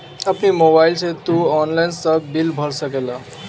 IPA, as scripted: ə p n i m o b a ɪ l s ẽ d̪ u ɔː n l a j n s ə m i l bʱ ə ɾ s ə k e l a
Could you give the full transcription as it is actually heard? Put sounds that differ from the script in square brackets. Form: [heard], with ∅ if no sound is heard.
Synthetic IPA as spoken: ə p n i m o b a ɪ l s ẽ [t̪] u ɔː n l a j n s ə [b] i l bʱ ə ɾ s ə k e l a